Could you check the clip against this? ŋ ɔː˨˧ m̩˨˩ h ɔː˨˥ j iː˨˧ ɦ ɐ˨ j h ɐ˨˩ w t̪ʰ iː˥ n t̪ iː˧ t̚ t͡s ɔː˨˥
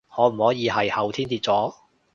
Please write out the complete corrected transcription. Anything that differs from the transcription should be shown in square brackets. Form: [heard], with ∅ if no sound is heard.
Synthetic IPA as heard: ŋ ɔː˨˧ m̩˨˩ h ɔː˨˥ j iː˨˧ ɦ ɐ˨ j h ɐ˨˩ w t̪ʰ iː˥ n t̪ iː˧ t̚ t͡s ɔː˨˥